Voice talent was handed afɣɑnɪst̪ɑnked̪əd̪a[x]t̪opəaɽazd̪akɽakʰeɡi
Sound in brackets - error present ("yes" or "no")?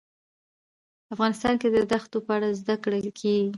no